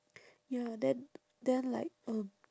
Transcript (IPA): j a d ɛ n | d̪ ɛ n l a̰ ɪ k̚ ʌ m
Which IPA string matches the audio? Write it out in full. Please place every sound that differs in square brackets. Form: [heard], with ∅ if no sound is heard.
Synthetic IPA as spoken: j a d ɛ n | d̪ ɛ n l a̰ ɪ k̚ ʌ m